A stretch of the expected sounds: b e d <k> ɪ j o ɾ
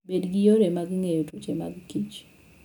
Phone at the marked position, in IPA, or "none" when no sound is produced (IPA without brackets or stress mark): ɡ